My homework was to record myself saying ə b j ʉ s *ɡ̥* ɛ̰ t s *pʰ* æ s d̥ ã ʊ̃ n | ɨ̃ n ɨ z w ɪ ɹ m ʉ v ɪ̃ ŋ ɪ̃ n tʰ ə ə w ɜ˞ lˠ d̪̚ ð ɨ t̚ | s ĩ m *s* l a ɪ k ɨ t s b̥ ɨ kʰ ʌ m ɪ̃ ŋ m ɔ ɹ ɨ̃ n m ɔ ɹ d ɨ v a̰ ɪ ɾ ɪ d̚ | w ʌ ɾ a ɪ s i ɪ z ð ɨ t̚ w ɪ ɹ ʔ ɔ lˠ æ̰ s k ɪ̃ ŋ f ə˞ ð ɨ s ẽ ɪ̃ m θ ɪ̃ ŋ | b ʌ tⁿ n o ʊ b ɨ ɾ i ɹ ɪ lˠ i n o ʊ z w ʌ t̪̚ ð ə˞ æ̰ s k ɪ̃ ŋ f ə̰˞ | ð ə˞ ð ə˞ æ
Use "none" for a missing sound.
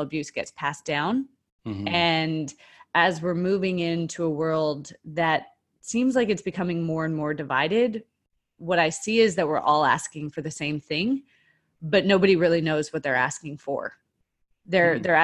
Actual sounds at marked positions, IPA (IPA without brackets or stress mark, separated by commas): ɡ̥, pʰ, z